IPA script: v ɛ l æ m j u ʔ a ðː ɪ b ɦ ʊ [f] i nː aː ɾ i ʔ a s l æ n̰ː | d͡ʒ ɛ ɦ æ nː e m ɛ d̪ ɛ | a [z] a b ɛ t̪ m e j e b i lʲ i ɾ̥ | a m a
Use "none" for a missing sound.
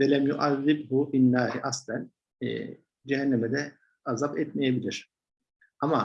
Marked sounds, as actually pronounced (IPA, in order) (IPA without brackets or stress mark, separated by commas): f, z